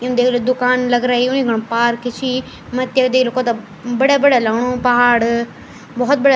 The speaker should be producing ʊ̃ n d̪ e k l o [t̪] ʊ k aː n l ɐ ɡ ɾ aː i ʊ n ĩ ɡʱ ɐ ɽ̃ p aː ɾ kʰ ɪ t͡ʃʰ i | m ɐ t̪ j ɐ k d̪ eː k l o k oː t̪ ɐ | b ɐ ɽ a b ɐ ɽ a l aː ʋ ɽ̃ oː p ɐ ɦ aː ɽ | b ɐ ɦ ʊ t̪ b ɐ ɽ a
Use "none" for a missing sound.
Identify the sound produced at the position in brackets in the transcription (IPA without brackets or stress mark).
d̪